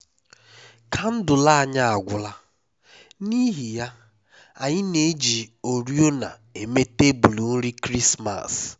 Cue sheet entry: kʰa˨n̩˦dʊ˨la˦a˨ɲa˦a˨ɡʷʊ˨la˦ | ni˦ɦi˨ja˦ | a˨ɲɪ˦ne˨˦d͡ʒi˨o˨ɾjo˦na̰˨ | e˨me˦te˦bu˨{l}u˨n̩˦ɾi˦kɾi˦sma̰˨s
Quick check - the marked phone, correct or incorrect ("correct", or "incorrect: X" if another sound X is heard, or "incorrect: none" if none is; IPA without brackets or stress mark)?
correct